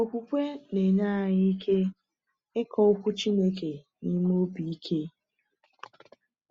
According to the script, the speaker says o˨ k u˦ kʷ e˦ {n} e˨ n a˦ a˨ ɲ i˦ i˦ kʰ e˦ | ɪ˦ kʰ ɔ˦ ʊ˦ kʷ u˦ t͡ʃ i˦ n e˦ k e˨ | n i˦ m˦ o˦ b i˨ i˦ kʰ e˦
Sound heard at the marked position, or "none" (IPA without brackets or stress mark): n